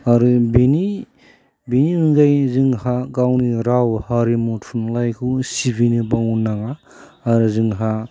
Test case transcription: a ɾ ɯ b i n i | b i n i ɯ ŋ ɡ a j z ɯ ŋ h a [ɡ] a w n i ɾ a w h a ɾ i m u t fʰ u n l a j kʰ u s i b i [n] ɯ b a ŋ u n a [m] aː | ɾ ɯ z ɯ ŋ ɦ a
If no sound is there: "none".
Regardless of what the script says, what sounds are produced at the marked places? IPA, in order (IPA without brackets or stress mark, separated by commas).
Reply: ɡ, n, ŋ